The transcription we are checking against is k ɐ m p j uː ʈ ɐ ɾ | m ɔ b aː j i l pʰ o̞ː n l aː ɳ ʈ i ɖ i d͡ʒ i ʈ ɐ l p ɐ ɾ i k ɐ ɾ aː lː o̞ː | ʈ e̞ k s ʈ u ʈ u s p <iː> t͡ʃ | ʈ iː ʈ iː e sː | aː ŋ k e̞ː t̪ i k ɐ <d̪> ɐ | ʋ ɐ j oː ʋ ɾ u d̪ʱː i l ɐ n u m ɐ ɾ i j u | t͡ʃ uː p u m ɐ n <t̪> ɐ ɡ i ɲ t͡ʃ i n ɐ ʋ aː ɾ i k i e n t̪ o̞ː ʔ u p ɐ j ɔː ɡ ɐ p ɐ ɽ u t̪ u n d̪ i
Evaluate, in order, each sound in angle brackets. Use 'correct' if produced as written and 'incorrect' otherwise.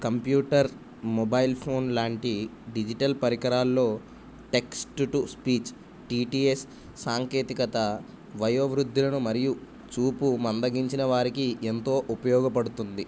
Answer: correct, incorrect: t̪, incorrect: d̪

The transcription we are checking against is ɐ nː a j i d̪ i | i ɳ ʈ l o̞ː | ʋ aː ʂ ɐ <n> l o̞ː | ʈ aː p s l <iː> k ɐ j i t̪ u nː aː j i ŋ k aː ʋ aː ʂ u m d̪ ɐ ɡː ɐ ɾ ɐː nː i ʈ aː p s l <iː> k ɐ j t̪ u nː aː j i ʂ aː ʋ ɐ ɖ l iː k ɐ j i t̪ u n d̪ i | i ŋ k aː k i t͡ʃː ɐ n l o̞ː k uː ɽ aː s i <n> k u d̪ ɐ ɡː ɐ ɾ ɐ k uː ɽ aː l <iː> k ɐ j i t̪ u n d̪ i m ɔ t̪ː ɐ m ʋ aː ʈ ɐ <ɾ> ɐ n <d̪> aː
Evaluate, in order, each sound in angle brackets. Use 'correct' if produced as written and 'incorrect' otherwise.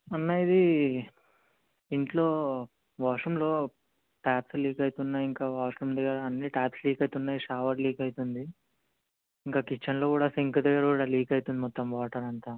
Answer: incorrect: m, correct, correct, incorrect: ŋ, correct, correct, incorrect: t̪

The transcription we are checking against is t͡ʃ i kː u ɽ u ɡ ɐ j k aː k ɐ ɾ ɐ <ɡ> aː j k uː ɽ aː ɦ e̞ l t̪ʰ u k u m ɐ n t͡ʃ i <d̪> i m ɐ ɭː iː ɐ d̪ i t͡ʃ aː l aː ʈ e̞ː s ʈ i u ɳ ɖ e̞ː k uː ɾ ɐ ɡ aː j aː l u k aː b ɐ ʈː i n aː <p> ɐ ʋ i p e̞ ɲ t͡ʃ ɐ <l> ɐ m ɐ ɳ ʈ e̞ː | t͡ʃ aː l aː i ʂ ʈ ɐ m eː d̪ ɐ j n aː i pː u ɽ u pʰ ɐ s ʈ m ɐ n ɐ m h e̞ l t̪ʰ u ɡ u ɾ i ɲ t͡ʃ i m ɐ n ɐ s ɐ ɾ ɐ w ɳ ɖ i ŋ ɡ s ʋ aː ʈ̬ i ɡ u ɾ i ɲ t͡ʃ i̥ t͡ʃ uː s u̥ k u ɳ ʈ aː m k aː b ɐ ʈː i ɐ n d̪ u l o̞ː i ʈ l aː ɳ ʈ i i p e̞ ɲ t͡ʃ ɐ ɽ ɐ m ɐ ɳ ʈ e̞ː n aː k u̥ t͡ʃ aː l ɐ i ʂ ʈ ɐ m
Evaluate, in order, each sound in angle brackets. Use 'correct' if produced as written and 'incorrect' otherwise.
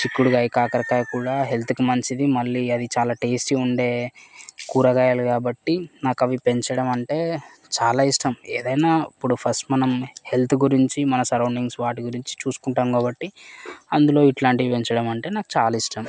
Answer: incorrect: k, correct, incorrect: k, incorrect: ɽ

